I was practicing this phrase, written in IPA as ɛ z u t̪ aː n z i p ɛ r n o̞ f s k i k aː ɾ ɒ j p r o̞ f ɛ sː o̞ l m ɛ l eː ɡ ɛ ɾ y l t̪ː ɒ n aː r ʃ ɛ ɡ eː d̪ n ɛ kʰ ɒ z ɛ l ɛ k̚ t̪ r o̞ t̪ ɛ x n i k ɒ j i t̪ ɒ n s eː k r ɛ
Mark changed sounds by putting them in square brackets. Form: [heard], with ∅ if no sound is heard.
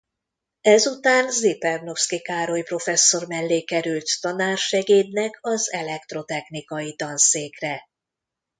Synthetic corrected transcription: ɛ z u t̪ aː n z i p ɛ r n o̞ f s k i k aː ɾ [o] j p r o̞ f ɛ sː o̞ [r] m ɛ [lː] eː [k] ɛ ɾ y l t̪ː ɒ n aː r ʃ ɛ ɡ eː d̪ n ɛ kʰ ɒ z ɛ l ɛ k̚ t̪ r o̞ t̪ ɛ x n i k ɒ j i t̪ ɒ n s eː k r ɛ